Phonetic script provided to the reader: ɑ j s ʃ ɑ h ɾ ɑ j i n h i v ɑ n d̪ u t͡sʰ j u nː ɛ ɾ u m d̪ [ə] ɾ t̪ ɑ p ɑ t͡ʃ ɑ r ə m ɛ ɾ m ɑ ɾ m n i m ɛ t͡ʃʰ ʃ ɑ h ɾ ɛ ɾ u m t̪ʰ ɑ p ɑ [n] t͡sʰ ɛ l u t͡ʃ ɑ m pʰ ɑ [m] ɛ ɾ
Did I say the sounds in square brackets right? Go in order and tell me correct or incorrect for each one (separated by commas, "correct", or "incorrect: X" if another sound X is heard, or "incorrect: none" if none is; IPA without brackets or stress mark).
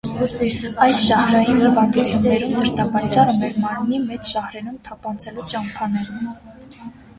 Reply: correct, correct, incorrect: n